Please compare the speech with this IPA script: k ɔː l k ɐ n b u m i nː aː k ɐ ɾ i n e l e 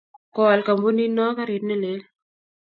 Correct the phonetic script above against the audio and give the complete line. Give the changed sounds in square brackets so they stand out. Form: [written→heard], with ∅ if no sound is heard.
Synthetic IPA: k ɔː l k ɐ [n→m] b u [m→n] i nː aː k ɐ ɾ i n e l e